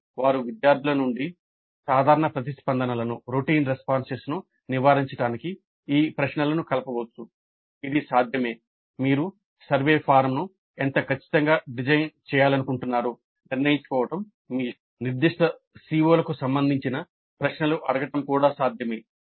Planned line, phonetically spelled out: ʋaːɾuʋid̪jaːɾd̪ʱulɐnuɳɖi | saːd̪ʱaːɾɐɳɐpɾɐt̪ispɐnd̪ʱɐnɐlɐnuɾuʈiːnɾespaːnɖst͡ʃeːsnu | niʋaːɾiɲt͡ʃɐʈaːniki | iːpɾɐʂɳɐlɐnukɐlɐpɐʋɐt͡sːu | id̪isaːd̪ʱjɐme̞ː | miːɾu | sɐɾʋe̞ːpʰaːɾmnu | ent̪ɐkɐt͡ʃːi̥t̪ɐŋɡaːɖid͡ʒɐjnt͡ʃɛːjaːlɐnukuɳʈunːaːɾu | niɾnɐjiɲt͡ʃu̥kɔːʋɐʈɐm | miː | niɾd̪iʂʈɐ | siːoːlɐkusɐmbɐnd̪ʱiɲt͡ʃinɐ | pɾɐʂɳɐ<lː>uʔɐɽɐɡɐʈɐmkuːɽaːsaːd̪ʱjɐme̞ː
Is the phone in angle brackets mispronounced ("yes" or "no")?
yes